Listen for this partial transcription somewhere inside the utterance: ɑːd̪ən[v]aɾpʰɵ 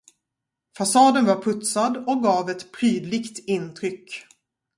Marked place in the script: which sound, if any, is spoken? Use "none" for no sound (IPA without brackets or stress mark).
v